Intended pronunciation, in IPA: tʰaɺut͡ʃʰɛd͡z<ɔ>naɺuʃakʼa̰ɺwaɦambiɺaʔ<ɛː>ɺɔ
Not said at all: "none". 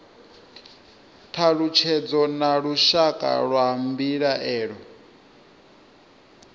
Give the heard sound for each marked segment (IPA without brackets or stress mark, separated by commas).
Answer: ɔ, ɛː